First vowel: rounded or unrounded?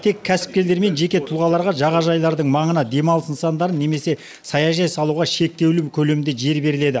unrounded